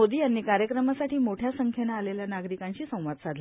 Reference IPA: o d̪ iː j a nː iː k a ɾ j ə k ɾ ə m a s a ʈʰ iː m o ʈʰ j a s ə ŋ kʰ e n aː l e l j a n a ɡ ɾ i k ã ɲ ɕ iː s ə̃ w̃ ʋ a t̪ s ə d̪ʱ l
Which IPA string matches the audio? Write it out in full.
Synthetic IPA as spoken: o d̪ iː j a nː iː k a ɾ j ə k ɾ ə m a s a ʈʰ iː m o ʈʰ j a s ə ŋ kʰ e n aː l e l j a n a ɡ ɾ i k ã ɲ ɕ iː s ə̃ w̃ ʋ a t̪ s a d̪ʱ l